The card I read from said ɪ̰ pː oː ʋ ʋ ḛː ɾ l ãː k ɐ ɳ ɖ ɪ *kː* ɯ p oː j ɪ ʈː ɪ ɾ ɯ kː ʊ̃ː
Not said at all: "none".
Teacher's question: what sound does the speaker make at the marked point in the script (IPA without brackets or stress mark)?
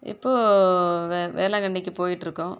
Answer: kː